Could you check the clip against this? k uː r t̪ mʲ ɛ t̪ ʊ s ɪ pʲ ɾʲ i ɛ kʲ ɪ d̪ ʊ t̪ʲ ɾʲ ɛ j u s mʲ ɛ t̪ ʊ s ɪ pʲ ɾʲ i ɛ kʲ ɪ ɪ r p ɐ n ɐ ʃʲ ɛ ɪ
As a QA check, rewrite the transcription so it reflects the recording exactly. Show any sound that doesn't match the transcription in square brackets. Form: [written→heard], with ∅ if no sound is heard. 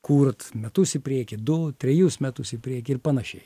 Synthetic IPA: k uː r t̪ mʲ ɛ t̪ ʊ s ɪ pʲ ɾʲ i ɛ kʲ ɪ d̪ ʊ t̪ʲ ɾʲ ɛ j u s mʲ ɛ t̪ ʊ s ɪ pʲ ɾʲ i ɛ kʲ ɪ ɪ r p ɐ n ɐ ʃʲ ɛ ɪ